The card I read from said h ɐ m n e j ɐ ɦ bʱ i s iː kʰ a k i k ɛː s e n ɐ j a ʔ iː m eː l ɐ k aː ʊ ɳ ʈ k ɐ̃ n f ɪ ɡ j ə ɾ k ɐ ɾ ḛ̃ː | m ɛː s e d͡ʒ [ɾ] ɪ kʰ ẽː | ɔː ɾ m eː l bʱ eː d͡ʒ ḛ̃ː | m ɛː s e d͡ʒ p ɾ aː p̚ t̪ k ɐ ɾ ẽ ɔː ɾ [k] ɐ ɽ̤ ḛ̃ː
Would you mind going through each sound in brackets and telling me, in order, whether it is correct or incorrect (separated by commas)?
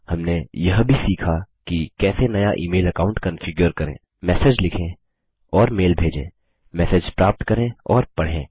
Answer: incorrect, incorrect